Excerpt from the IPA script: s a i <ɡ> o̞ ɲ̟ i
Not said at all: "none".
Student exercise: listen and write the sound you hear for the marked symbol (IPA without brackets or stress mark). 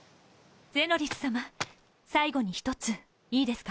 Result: ɡ